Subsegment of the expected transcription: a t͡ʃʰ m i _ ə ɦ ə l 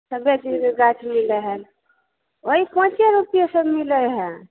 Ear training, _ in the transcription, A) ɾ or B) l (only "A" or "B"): B